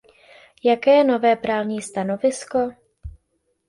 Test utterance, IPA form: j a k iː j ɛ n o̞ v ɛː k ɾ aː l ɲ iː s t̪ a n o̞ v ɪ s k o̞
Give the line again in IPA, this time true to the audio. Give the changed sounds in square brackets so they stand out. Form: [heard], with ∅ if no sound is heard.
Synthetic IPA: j a k [ɛː] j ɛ n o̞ v ɛː [p] ɾ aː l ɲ iː s t̪ a n o̞ v ɪ s k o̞